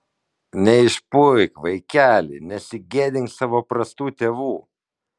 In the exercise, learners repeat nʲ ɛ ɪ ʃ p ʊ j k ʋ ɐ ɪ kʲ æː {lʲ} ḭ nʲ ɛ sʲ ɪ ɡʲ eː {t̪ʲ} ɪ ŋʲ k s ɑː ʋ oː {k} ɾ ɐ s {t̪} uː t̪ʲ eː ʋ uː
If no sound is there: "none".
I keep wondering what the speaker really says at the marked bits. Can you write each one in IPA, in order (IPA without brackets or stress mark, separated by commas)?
lʲ, d̪ʲ, p, t̪